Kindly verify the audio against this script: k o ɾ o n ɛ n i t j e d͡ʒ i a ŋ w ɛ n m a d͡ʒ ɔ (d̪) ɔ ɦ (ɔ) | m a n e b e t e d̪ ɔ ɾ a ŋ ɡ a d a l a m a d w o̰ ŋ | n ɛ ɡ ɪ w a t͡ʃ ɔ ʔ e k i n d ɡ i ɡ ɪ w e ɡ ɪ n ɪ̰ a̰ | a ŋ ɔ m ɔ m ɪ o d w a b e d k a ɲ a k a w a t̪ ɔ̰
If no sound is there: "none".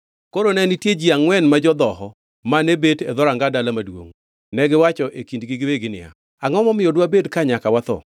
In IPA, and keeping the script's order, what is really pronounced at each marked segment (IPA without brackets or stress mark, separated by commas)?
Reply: d̪, ɔ